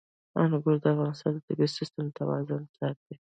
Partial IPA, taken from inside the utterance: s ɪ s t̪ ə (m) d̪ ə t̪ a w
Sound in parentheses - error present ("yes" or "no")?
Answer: no